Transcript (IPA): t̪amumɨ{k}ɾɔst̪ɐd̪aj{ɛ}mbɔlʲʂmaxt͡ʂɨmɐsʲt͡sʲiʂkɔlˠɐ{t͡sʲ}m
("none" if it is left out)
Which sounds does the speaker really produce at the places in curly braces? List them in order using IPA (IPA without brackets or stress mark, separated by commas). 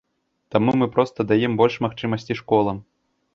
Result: p, ɛ, none